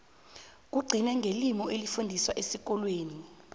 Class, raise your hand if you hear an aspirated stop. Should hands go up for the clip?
no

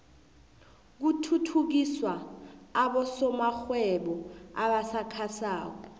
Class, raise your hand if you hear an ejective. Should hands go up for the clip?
no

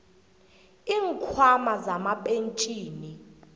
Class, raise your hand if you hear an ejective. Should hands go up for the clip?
yes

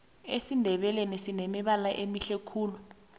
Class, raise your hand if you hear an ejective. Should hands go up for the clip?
no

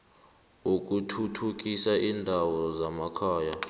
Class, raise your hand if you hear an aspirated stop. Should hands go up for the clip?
yes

